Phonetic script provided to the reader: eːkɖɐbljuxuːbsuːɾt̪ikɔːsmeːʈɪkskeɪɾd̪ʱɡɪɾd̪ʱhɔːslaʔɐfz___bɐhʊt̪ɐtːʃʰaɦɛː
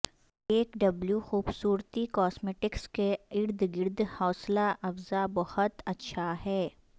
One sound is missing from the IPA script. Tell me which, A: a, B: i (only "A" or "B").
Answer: A